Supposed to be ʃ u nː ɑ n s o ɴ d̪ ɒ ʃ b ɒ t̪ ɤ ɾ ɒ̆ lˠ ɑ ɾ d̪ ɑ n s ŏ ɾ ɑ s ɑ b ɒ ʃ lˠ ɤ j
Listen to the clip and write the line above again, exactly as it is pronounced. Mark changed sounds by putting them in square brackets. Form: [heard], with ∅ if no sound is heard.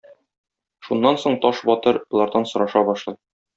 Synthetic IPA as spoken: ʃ u nː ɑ n s o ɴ [t̪] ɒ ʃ b ɒ t̪ ɤ ɾ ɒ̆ lˠ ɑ ɾ d̪ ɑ n s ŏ ɾ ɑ [ʃ] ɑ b ɒ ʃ lˠ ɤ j

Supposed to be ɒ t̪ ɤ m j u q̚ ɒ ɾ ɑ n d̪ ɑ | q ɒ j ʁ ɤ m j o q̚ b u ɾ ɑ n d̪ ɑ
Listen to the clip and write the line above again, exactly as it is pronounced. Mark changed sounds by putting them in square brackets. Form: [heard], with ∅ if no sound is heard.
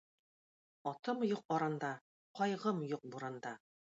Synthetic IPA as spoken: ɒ t̪ ɤ m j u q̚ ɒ ɾ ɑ n d̪ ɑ | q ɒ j ʁ ɤ m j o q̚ b u ɾ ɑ n d̪ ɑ

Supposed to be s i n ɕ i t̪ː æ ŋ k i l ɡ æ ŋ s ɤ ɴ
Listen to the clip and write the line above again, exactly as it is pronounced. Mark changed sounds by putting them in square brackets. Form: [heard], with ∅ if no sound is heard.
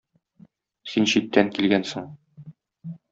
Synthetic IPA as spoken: s i n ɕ i t̪ː æ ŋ k i l ɡ æ [n] s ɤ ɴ

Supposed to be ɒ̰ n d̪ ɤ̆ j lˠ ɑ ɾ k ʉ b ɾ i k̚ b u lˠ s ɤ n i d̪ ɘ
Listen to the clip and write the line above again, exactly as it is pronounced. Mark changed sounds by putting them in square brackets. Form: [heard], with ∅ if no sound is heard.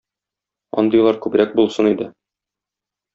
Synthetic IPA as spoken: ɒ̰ n d̪ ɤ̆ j lˠ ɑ ɾ k ʉ b ɾ [æ] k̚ b u lˠ s ɤ n i d̪ ɘ

